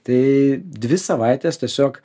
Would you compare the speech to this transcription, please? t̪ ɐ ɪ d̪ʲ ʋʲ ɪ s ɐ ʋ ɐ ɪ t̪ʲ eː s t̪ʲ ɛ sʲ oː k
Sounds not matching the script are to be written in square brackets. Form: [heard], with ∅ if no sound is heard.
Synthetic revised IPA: t̪ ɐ ɪ d̪ʲ ʋʲ ɪ s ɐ ʋ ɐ ɪ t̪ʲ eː s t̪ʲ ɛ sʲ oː k